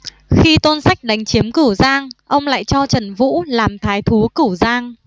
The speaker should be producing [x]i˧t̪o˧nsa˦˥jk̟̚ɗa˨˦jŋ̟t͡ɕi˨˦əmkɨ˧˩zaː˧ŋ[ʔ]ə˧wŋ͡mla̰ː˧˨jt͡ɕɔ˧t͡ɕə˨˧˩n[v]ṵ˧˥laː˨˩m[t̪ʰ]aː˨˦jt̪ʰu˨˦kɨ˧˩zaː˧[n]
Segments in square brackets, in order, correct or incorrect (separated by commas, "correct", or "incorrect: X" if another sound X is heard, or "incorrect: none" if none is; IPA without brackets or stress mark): correct, correct, correct, correct, incorrect: ŋ